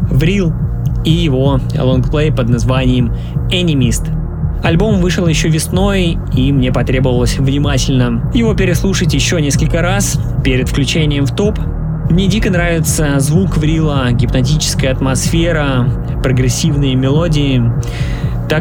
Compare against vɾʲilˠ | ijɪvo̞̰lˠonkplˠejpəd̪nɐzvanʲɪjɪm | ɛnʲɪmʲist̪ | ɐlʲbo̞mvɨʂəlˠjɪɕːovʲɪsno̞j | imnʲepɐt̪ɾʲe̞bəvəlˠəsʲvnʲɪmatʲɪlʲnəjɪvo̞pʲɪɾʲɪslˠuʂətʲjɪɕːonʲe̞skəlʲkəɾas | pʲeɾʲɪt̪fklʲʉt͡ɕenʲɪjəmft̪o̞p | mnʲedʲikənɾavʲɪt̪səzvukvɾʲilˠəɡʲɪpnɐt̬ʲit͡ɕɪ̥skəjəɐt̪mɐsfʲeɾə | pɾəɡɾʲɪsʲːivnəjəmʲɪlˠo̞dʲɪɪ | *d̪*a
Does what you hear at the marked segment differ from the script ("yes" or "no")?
yes